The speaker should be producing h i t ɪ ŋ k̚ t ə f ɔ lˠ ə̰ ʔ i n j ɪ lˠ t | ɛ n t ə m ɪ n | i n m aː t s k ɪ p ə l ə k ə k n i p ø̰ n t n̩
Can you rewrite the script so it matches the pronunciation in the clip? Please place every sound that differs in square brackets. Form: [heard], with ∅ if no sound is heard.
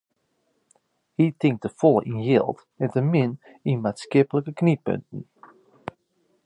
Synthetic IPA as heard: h i t ɪ ŋ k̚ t ə f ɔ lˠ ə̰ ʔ i n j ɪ lˠ t | ɛ n t ə m ɪ n | i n m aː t s k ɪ p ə l ə k ə k n i p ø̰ n t n̩